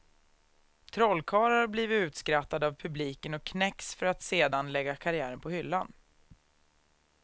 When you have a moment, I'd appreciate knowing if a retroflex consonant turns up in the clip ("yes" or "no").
no